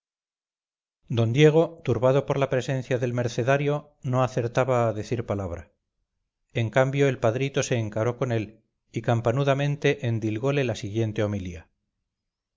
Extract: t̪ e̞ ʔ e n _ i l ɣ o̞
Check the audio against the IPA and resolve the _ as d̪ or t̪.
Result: d̪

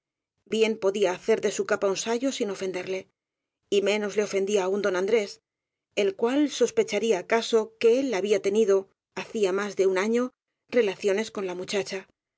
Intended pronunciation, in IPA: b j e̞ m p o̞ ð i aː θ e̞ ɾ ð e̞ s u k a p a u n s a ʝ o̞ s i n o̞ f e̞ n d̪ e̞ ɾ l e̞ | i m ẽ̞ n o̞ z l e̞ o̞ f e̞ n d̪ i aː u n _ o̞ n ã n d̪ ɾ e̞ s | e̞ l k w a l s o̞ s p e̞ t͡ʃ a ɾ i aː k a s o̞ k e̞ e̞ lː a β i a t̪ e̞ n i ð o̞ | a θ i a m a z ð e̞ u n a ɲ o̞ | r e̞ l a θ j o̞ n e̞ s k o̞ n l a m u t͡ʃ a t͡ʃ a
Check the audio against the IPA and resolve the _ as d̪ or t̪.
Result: d̪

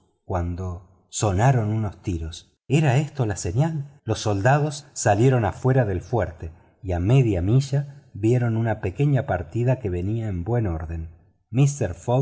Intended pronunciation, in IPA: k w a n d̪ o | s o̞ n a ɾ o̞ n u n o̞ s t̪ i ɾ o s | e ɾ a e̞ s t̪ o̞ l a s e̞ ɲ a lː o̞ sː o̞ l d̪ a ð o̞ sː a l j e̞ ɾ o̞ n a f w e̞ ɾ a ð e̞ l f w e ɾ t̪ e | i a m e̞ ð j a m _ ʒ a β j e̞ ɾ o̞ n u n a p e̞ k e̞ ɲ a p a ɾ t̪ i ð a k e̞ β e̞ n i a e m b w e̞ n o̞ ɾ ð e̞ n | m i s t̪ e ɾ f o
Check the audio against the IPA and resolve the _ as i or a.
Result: i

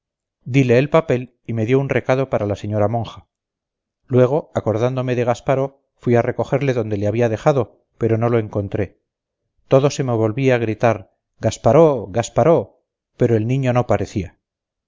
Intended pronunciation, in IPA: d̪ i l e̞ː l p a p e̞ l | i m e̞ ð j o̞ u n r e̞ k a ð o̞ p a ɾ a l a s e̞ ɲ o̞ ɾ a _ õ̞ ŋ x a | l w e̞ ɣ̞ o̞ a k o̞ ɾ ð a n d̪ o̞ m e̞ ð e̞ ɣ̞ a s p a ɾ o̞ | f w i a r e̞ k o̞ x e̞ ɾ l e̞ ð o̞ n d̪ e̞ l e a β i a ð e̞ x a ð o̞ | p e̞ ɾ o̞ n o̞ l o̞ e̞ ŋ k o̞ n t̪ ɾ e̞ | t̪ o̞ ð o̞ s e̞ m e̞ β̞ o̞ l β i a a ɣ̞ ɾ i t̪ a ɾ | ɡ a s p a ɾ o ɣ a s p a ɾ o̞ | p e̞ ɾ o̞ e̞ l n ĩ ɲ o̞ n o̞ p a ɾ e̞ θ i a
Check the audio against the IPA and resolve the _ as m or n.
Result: m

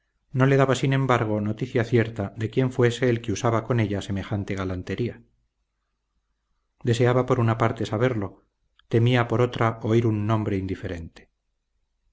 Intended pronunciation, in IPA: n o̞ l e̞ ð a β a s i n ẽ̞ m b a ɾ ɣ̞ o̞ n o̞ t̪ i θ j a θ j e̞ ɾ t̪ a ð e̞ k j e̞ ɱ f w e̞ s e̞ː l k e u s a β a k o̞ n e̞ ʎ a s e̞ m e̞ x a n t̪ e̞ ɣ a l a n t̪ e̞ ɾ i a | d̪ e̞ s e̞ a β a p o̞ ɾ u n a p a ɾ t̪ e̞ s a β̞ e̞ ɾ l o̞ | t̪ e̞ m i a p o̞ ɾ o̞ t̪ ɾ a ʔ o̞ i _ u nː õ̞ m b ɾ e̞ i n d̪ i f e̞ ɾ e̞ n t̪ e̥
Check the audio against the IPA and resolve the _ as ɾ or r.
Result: ɾ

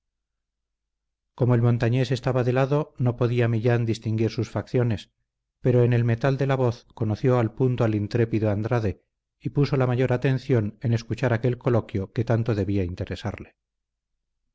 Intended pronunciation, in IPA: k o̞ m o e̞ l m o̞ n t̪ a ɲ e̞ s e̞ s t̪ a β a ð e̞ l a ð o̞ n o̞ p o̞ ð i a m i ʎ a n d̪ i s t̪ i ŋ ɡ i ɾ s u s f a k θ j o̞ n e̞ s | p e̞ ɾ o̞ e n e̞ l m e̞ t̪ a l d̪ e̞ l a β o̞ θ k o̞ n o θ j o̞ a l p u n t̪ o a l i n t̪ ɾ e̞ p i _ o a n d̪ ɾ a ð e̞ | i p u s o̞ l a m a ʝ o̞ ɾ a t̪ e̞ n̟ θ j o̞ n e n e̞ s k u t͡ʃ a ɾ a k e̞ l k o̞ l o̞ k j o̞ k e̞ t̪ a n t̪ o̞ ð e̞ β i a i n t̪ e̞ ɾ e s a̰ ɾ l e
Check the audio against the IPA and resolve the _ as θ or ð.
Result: ð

